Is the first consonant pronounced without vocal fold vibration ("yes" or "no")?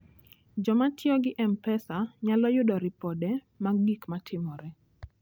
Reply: no